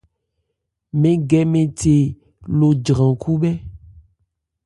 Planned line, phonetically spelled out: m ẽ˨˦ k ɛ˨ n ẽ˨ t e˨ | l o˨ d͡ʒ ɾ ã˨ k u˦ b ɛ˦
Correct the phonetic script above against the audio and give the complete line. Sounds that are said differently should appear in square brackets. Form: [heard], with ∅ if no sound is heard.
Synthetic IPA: m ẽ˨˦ [ɡ] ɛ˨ [m] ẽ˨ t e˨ | l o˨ d͡ʒ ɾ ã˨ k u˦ b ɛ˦